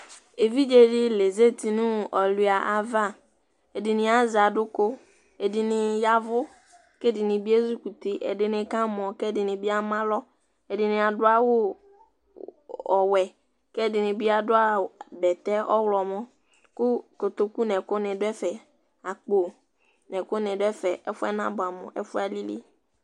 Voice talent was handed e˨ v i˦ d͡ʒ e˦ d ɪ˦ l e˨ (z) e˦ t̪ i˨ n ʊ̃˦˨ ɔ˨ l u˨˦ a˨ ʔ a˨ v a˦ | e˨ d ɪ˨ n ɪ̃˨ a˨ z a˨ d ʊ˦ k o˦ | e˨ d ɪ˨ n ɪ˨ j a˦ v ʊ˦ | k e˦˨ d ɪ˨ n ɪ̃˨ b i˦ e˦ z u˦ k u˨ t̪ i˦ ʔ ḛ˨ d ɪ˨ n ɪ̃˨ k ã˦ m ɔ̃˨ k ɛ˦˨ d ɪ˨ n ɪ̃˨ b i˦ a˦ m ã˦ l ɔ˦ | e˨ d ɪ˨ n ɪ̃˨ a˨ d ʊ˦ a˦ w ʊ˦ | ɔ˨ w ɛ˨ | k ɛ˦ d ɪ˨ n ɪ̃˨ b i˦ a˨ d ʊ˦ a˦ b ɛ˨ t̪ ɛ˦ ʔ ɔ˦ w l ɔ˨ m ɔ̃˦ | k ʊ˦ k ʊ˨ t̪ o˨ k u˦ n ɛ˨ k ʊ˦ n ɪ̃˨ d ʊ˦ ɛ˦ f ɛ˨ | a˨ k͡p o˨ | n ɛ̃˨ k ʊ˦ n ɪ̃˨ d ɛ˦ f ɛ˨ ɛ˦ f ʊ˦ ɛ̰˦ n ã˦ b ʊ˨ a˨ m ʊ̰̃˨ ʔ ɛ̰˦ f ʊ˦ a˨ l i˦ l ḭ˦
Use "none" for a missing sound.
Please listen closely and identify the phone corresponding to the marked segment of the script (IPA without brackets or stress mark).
z